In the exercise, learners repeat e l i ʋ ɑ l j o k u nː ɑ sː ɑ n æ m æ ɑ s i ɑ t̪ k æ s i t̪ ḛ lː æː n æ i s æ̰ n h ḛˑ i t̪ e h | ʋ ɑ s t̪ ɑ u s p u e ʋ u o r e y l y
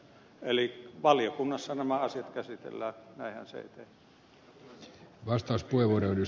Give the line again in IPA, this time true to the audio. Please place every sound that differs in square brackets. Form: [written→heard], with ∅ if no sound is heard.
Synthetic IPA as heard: e l i ʋ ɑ l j o k u nː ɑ sː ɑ n æ m æ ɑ s i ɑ t̪ k æ s i t̪ ḛ lː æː n æ i [s→h] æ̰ n [h→s] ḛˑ i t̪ e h | ʋ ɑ s t̪ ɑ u s p u e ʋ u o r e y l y

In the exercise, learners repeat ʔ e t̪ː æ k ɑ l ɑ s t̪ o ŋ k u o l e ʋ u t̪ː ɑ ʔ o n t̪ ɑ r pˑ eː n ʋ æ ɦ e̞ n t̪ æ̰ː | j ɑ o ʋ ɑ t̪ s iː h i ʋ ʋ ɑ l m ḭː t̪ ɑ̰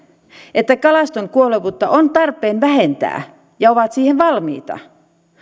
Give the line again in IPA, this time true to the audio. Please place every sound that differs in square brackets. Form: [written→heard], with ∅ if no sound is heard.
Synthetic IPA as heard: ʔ e t̪ː æ k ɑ l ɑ s t̪ o ŋ k u o l e ʋ u t̪ː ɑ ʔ o n t̪ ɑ r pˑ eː n ʋ æ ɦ e̞ n t̪ æ̰ː | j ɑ o ʋ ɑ t̪ s iː h [i→e] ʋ ʋ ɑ l m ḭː t̪ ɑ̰

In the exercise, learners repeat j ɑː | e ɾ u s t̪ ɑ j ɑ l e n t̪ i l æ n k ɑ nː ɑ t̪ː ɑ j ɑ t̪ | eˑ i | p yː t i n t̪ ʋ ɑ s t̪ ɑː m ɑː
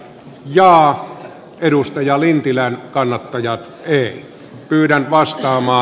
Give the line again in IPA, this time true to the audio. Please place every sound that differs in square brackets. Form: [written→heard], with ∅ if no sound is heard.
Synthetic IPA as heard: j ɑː | e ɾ u s t̪ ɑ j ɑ l [e→i] n t̪ i l æ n k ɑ nː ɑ t̪ː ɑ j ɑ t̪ | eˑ i | p yː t [i→æ] n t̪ ʋ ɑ s t̪ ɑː m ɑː

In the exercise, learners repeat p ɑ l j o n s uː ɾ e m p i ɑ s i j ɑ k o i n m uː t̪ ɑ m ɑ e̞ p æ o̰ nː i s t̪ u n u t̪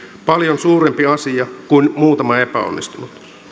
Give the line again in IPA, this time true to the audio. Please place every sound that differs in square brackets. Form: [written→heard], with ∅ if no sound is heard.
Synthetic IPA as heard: p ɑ l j o n s uː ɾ e m p i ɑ s i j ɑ k [o→u] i n m uː t̪ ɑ m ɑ e̞ p æ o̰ nː i s t̪ u n u t̪

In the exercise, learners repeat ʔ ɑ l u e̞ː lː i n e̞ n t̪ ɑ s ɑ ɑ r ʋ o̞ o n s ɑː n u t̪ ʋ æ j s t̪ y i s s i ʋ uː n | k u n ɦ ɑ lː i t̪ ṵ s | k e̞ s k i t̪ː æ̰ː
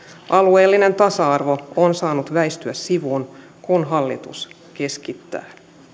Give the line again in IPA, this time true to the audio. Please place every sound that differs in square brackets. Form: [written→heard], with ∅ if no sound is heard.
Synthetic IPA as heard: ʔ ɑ l u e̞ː lː i n e̞ n t̪ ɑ s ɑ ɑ r ʋ o̞ o n s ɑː n u t̪ ʋ æ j s t̪ y [i→æ] s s i ʋ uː n | k u n ɦ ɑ lː i t̪ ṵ s | k e̞ s k i t̪ː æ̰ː

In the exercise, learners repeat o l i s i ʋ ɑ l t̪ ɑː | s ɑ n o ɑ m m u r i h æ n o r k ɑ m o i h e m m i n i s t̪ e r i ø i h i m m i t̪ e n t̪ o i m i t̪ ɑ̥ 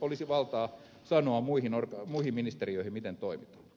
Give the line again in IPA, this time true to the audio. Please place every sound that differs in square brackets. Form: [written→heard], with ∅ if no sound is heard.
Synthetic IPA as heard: o l i s i ʋ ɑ l t̪ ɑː | s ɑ n o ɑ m m u [r→∅] i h [æ→i] n o r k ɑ m [o→u] i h [e→i] m m i n i s t̪ e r i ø i h i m m i t̪ e n t̪ o i m i t̪ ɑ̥

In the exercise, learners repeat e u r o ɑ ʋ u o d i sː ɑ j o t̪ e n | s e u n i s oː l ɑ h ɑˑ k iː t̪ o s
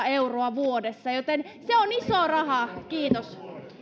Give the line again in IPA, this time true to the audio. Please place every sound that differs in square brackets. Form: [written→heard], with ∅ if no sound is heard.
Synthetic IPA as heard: e u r o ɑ ʋ u o d [i→e] sː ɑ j o t̪ e n | s e [u→o] n i s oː [l→r] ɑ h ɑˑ k iː t̪ o s

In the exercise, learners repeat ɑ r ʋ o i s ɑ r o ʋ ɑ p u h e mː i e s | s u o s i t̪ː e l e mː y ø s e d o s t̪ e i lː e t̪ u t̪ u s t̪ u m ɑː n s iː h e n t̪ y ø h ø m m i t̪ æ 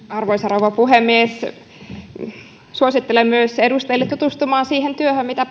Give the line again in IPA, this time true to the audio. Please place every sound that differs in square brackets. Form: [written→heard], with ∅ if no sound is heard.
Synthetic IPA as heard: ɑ r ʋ o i s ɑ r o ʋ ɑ p u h e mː i e s | s u o s i t̪ː e l e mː y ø s e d [o→u] s t̪ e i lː e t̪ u t̪ u s t̪ u m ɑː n s iː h e n t̪ y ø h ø m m i t̪ æ

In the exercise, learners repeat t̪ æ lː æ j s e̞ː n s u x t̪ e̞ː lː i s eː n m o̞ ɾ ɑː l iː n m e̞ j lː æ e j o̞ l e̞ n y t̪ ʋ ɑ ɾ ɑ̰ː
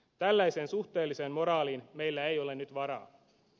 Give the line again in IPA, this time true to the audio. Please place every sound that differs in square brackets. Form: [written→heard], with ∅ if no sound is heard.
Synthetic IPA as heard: t̪ æ lː æ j s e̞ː n s u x t̪ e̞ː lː i s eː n m o̞ ɾ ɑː l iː n m e̞ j lː æ e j o̞ l e̞ n y t̪ ʋ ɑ ɾ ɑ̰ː

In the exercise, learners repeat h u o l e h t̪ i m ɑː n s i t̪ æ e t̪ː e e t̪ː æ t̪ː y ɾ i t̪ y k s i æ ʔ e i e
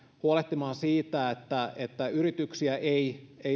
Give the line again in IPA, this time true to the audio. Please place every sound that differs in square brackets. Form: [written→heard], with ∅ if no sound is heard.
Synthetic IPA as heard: h u o l e h t̪ i m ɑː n s [i→iː] t̪ æ e t̪ː [e→æ] e t̪ː æ [t̪ː→∅] y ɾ i t̪ y k s i æ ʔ e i e

